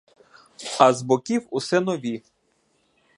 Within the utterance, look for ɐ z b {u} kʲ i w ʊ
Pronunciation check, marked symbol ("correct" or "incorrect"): incorrect